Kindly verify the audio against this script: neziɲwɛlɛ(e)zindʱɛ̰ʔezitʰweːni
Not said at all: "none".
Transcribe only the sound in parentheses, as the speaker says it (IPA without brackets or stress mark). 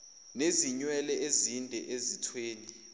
e